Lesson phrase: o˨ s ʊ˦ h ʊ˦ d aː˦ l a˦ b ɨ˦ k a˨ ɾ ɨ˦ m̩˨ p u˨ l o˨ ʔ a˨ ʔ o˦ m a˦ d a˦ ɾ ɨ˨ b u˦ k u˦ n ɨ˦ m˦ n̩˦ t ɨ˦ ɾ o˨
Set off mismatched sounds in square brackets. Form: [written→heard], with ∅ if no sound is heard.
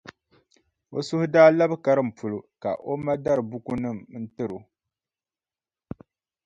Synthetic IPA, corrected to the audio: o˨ s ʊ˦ h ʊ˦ d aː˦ l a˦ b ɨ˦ k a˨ ɾ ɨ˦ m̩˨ p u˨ l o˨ [ʔ→k] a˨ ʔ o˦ m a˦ d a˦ ɾ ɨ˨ b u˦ k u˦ n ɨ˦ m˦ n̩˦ t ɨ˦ ɾ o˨